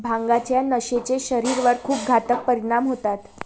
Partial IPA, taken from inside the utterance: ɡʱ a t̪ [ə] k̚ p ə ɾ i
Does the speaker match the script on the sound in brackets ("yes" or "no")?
yes